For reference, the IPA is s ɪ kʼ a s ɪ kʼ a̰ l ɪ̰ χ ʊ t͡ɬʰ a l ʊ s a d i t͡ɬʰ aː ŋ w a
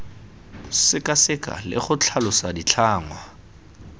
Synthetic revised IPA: s ɪ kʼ a s ɪ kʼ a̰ l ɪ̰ χ ʊ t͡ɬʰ a l ʊ s a d i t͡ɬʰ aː ŋ w a